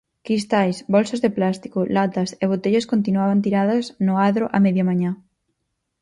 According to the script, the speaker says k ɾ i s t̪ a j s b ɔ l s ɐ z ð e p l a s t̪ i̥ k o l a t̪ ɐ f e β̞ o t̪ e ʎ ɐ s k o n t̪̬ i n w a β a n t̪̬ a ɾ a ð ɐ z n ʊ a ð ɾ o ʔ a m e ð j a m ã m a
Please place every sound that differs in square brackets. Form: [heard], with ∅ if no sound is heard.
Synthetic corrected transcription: k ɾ i s t̪ a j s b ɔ l s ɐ z ð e p l a s t̪ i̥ k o l a t̪ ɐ [s] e β̞ o t̪ e ʎ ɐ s k o n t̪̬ i n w a β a n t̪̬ [i] ɾ a ð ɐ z n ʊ a ð ɾ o ʔ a m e ð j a m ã [ɲ] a